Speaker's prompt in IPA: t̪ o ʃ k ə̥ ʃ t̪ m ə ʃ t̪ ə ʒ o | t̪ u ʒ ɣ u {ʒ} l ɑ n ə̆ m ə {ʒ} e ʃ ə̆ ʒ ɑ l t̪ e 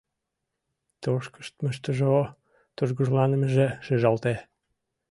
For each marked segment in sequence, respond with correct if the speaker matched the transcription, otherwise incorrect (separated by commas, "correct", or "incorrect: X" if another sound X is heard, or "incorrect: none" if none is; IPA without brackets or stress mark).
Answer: correct, correct